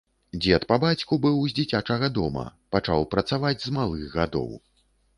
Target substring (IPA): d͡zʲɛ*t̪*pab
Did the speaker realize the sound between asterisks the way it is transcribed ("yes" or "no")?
yes